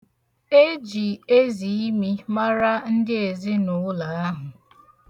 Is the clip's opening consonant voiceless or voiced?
voiced